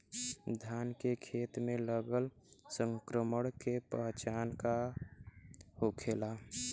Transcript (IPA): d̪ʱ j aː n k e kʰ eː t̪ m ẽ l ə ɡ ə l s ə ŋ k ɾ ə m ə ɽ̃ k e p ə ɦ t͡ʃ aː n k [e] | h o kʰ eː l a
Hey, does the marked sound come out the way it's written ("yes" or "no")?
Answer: no